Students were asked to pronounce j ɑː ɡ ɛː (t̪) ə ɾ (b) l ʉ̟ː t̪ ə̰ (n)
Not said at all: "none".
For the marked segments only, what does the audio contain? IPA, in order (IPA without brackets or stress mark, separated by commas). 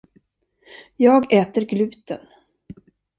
t̪, ɡ, n